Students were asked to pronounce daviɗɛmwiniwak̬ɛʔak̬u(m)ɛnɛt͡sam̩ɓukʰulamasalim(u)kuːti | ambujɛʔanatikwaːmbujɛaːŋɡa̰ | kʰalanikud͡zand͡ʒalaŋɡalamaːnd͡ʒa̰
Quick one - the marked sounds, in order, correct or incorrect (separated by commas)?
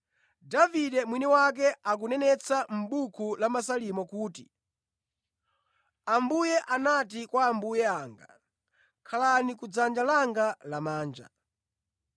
incorrect, incorrect